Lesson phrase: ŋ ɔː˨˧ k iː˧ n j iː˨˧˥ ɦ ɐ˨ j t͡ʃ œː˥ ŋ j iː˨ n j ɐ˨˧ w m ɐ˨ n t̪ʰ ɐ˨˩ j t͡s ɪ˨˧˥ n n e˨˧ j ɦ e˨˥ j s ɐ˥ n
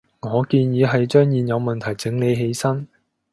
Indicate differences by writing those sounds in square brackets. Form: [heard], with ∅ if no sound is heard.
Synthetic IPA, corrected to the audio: ŋ ɔː˨˧ k iː˧ n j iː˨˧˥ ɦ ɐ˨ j t͡ʃ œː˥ ŋ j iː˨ n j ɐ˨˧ w m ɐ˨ n t̪ʰ ɐ˨˩ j t͡s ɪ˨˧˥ [ŋ] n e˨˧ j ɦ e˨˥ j s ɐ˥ n